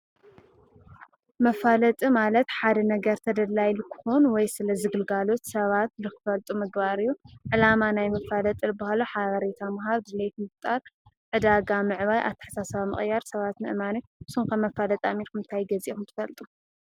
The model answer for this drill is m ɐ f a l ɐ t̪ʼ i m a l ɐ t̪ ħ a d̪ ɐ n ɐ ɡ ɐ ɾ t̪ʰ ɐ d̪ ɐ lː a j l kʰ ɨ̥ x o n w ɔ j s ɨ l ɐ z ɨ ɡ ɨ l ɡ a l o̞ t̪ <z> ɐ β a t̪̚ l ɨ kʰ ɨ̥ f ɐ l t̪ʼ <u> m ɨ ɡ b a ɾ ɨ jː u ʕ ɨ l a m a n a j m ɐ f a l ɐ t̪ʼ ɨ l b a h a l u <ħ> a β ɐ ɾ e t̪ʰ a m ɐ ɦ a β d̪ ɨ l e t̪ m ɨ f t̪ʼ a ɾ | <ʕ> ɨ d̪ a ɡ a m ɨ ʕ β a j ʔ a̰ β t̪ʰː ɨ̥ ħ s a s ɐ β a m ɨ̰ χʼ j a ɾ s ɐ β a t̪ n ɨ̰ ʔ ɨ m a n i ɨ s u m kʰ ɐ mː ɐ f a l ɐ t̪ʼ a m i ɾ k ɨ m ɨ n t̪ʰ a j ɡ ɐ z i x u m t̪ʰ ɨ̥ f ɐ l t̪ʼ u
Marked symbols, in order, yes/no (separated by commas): no, yes, yes, yes